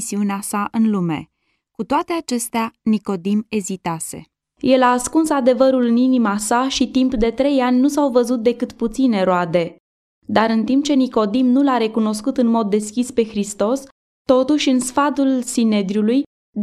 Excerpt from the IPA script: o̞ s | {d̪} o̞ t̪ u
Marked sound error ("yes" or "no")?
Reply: yes